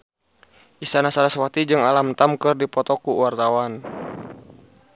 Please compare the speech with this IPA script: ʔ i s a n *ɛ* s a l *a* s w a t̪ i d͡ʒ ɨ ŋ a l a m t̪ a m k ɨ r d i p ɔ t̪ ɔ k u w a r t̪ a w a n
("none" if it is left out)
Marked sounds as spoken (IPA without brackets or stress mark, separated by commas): a, a